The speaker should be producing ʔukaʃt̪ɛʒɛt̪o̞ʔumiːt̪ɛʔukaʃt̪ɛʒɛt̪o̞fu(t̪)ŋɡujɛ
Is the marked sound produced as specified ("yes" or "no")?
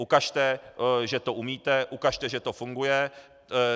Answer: no